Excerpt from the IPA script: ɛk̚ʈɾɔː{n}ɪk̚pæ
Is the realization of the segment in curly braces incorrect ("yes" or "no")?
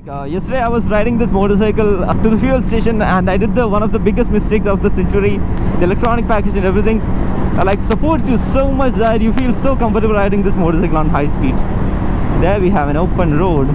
no